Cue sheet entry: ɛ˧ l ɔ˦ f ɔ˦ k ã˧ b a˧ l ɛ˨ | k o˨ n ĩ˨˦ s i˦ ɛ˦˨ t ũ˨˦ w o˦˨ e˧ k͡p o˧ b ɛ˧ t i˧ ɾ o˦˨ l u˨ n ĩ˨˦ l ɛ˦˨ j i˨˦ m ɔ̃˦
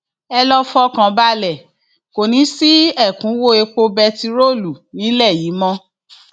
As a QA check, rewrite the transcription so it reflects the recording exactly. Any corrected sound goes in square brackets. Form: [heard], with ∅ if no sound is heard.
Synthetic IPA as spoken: ɛ˧ l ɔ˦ f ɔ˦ k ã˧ b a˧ l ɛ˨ | k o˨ n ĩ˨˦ s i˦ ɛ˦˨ [k] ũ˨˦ w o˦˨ e˧ k͡p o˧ b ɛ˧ t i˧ ɾ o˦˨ l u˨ n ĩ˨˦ l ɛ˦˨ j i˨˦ m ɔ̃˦